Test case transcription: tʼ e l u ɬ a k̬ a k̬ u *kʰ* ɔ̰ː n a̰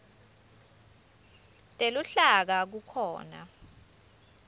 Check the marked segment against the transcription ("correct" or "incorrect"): correct